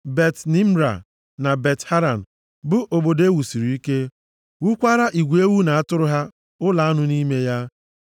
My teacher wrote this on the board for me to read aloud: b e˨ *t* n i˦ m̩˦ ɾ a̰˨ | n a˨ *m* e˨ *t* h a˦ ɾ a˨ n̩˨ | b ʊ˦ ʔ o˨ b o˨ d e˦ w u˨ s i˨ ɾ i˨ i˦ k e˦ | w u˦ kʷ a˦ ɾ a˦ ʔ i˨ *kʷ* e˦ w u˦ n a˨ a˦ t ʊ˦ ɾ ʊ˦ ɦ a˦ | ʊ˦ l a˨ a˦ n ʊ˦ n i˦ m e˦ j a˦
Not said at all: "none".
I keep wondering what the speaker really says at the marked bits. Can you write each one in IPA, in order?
t, b, t, ɡʷ

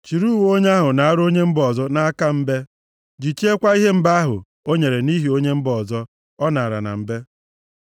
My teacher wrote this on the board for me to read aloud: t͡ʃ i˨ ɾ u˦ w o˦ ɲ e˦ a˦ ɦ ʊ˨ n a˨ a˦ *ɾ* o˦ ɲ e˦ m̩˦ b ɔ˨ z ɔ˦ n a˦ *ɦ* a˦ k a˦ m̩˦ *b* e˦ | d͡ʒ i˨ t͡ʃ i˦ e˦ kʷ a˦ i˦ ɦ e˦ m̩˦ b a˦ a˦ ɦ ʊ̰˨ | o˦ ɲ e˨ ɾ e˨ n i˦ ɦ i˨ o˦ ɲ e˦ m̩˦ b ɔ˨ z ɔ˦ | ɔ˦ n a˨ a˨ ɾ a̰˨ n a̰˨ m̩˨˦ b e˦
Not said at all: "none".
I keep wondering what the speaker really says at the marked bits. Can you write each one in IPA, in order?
ɾ, none, b

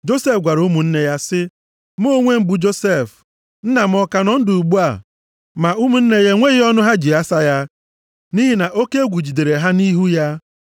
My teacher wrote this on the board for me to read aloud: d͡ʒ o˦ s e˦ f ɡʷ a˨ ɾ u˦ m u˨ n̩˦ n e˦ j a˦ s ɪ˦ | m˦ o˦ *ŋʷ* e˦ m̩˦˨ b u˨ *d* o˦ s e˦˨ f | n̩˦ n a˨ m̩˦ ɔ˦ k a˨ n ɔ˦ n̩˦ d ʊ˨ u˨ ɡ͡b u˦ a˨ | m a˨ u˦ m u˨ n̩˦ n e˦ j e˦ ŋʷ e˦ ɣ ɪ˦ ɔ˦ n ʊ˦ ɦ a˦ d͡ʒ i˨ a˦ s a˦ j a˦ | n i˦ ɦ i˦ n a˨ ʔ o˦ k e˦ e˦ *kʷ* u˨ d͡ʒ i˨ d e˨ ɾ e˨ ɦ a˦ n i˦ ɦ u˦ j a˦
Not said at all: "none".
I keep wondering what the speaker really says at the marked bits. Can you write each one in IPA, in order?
ŋʷ, d͡ʒ, ɡʷ

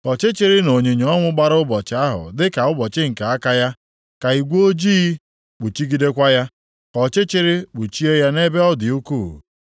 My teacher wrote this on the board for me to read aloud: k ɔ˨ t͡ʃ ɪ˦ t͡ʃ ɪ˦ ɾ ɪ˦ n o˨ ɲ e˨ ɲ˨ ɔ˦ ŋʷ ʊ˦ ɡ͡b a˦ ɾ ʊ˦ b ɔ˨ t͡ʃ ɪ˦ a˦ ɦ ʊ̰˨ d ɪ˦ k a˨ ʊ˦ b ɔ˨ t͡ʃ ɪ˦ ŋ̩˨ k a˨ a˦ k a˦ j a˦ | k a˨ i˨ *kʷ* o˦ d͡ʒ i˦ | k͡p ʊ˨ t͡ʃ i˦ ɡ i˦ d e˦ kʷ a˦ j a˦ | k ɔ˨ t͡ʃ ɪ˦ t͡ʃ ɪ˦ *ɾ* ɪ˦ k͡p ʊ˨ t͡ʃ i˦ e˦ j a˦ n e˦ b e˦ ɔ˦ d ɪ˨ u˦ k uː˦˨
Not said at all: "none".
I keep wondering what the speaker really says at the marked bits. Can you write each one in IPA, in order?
ɡʷ, ɾ

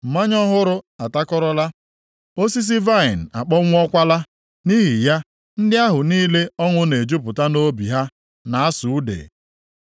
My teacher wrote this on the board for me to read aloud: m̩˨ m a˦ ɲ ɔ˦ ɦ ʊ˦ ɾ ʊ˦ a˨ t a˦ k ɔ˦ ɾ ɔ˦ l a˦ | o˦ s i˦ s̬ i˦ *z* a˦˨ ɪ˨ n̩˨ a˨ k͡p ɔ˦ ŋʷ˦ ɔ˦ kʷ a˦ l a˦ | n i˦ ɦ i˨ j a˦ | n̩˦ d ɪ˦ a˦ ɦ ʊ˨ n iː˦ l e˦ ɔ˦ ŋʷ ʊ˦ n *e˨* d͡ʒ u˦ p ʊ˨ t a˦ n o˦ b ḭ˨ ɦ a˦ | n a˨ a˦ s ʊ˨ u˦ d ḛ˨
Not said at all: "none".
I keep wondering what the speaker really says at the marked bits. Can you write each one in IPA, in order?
v, e˨

